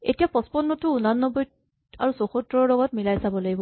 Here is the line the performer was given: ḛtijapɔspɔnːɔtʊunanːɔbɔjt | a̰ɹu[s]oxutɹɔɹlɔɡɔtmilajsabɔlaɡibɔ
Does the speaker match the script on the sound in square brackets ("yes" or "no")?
yes